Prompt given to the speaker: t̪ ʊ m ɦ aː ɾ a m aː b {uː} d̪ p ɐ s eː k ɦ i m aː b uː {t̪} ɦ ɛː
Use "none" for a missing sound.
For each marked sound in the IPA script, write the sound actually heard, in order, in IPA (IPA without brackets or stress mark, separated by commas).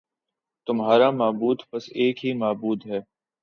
uː, d̪